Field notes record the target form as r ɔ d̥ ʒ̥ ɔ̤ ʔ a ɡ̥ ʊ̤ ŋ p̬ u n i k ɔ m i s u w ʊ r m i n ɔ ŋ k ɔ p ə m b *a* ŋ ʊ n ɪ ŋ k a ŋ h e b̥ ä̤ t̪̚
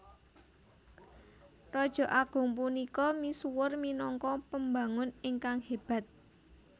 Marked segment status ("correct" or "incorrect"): correct